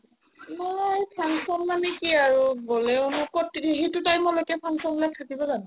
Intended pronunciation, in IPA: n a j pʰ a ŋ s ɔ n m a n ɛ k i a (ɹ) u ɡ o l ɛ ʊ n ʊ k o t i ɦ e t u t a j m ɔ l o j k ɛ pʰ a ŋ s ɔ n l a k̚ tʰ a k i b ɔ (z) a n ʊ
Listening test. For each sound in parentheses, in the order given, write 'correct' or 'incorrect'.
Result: correct, correct

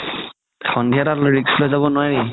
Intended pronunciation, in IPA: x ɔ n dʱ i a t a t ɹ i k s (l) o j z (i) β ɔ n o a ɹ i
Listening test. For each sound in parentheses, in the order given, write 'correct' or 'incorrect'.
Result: correct, incorrect: a

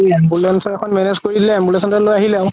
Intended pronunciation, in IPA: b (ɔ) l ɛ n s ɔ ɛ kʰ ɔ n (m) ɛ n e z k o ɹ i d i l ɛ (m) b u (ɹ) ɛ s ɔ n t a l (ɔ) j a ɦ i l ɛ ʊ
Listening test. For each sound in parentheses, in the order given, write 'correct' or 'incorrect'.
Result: incorrect: u, correct, correct, incorrect: l, incorrect: o

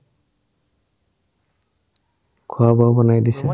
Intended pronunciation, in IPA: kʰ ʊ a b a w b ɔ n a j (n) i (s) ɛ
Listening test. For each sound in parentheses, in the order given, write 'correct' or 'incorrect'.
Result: incorrect: d, correct

